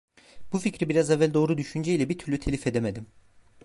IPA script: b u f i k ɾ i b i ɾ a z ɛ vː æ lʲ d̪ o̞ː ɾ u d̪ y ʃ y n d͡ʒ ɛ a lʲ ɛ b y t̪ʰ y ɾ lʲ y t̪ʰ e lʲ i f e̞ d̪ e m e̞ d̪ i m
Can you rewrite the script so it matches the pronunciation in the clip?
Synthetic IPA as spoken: b u f i c ɾ i b i ɾ a z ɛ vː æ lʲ d̪ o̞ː ɾ u d̪ y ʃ y n d͡ʒ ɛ i lʲ ɛ b i t̪ʰ y ɾ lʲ y t̪ʰ e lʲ i f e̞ d̪ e m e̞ d̪ i m